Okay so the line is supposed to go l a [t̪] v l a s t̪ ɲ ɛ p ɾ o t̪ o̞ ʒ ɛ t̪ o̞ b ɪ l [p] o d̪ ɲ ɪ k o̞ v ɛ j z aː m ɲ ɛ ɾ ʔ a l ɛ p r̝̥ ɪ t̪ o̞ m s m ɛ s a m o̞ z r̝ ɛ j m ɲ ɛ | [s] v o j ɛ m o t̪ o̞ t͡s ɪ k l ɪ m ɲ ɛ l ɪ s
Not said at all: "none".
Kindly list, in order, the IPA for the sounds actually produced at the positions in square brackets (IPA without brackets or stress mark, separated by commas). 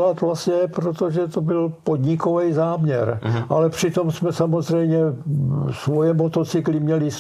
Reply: t̪, p, s